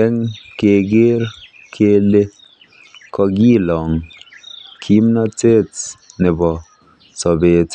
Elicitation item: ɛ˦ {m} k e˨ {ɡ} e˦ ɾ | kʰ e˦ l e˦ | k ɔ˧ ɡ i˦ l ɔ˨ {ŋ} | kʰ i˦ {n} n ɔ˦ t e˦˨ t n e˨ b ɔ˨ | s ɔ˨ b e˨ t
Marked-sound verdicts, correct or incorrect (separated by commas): incorrect, correct, correct, incorrect